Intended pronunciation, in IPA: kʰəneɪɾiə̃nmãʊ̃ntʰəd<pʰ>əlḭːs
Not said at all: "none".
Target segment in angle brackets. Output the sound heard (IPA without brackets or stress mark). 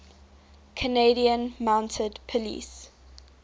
pʰ